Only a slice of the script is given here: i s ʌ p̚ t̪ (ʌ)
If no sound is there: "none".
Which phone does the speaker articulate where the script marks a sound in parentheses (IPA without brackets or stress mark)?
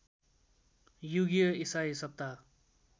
a